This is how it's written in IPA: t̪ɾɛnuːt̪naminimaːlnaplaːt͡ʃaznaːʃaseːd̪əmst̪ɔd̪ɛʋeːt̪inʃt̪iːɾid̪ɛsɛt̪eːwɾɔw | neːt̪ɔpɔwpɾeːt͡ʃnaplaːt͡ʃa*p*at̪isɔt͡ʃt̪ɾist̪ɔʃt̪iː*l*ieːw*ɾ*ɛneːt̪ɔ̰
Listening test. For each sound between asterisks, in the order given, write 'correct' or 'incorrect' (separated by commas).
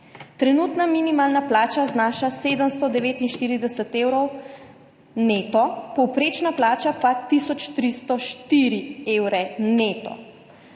correct, incorrect, correct